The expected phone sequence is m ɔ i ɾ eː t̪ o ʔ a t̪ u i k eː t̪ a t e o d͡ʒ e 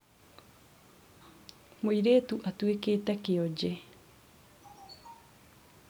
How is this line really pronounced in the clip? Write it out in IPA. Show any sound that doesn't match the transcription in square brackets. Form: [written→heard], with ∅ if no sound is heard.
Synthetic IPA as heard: m [ɔ→o] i ɾ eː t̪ [o→u] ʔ a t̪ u [i→e] k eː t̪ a [t→k] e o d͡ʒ e